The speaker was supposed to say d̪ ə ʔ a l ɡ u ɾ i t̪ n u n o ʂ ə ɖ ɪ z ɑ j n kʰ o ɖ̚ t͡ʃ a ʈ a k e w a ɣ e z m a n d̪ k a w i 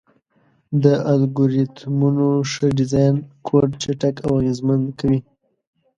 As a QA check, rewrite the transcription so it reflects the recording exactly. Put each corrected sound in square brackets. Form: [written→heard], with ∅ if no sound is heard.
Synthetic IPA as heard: d̪ ə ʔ a l ɡ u ɾ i t̪ [n→m] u n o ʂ ə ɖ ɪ z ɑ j n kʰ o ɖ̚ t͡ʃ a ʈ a k [e→a] w a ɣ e z m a n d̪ k a w i